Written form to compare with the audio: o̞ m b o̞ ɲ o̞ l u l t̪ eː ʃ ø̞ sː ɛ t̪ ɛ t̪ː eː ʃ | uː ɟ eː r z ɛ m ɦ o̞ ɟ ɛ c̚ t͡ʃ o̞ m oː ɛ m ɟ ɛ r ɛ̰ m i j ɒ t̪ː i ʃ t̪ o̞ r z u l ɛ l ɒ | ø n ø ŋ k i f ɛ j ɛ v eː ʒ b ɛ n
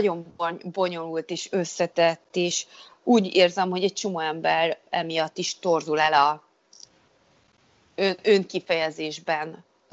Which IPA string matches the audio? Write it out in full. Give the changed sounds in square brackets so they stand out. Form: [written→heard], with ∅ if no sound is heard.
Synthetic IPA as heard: o̞ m b o̞ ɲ o̞ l u l t̪ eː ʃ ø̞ sː ɛ t̪ ɛ t̪ː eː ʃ | uː ɟ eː r z ɛ m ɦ o̞ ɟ ɛ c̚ t͡ʃ o̞ m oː ɛ m [ɟ→b] ɛ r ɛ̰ m i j ɒ t̪ː i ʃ t̪ o̞ r z u l ɛ l ɒ | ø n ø ŋ k i f ɛ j ɛ [v→z] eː ʒ b ɛ n